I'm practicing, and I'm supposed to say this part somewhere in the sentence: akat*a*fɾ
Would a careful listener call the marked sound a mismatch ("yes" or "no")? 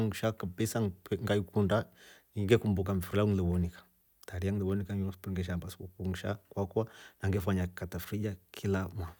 no